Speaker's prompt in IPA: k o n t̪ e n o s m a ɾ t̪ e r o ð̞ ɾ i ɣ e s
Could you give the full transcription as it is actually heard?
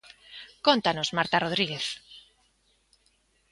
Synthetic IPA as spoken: k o n t̪ a n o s m a ɾ t̪ a r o ð̞ ɾ i ɣ e θ